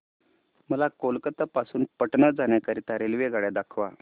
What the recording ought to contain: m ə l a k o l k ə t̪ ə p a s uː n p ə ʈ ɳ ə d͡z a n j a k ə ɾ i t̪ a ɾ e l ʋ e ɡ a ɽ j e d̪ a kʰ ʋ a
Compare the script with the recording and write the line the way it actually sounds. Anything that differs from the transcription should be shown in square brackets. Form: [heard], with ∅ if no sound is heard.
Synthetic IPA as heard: m ə l a k o l k ə t̪ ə p a s uː n p ə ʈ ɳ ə d͡z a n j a k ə ɾ i t̪ a ɾ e l ʋ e ɡ a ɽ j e d̪ a kʰ ʋ a